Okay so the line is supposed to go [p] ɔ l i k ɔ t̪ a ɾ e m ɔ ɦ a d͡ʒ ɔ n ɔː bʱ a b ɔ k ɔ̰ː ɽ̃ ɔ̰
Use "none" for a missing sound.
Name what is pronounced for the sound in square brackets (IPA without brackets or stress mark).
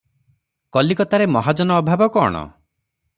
k